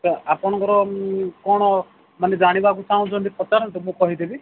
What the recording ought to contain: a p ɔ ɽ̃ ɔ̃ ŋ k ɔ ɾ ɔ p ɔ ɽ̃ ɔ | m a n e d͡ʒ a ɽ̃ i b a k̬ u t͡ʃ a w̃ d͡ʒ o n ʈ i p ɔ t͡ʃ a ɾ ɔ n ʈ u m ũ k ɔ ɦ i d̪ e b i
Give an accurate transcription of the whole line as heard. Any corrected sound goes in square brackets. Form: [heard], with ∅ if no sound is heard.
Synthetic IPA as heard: a p ɔ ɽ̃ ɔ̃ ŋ k ɔ ɾ ɔ [k] ɔ ɽ̃ ɔ | m a n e d͡ʒ a ɽ̃ i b a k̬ u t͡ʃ a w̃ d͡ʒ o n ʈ i p ɔ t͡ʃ a ɾ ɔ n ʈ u m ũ k ɔ ɦ i d̪ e b i

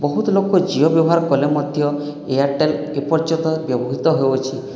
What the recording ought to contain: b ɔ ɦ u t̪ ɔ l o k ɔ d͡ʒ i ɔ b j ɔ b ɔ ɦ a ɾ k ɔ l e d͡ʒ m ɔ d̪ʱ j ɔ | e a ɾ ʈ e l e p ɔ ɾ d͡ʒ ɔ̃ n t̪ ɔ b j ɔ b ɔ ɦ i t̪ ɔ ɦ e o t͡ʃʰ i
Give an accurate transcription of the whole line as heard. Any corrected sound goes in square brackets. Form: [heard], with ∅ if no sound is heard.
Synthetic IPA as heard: b ɔ ɦ u t̪ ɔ l o k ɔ d͡ʒ i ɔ b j ɔ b ɔ ɦ a ɾ k ɔ l e [∅] m ɔ d̪ʱ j ɔ | e a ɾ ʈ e l e p ɔ ɾ d͡ʒ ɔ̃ n t̪ ɔ b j ɔ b ɔ ɦ i t̪ ɔ ɦ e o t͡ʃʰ i

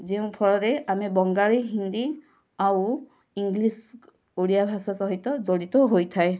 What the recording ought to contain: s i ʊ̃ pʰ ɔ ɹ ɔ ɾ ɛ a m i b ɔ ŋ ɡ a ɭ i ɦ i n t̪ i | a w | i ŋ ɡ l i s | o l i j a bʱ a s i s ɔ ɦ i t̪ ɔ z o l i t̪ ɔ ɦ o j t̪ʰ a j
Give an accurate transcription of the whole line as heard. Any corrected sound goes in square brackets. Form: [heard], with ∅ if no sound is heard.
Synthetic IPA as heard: [z] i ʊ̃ pʰ ɔ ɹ ɔ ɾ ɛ a m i b ɔ ŋ ɡ a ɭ i ɦ i n [d̪] i | a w | i ŋ ɡ l i s | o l i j a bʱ a s [a] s ɔ ɦ i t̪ ɔ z o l i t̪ ɔ ɦ o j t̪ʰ a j

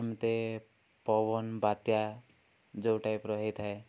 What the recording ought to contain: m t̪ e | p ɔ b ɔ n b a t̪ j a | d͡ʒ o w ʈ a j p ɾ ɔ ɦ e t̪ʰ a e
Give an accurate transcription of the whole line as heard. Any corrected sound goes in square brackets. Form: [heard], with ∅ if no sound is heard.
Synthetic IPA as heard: m t̪ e | p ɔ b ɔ n b a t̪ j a | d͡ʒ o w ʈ a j p ɾ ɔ ɦ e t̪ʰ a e

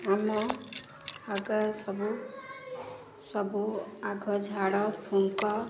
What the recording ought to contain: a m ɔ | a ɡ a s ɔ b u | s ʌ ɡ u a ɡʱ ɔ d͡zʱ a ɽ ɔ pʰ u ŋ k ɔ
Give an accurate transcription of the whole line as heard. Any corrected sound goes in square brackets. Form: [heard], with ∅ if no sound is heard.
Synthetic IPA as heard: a m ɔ | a ɡ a s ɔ b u | s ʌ [b] u a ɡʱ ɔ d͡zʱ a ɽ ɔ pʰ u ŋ k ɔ

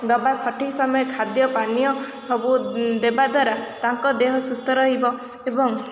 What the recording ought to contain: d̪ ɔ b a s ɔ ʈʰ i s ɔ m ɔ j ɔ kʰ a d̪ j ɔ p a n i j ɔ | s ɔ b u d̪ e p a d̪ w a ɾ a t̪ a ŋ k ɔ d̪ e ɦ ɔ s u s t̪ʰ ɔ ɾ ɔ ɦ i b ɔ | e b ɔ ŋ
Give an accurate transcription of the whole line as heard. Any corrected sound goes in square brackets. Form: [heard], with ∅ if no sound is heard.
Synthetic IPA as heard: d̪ ɔ b a s ɔ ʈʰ i s ɔ m ɔ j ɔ kʰ a d̪ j ɔ p a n i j ɔ | s ɔ b u d̪ e [b] a d̪ w a ɾ a t̪ a ŋ k ɔ d̪ e ɦ ɔ s u s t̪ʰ ɔ ɾ ɔ ɦ i b ɔ | e b ɔ ŋ

